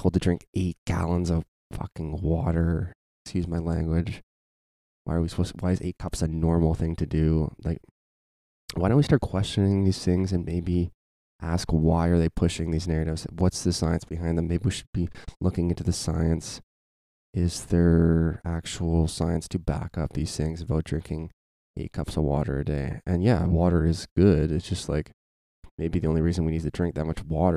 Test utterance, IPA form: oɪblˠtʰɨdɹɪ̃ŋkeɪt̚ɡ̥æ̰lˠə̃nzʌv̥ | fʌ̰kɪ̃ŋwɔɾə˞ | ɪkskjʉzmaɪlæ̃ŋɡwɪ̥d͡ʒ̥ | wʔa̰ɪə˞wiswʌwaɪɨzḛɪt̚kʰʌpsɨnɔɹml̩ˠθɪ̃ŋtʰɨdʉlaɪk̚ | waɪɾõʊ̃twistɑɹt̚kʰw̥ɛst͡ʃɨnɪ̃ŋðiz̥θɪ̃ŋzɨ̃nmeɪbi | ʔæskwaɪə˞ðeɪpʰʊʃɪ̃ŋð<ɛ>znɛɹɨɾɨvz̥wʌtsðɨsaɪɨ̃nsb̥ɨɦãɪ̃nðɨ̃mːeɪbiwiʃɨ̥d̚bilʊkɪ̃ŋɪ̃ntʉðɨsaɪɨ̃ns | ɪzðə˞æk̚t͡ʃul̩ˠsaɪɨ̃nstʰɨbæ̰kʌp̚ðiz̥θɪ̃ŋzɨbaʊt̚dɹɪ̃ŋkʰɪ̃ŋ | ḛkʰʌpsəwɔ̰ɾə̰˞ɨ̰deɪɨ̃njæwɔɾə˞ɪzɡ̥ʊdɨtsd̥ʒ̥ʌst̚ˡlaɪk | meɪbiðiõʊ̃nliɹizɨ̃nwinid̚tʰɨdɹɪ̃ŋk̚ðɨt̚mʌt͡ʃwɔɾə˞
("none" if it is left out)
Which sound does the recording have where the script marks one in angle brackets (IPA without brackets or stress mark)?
i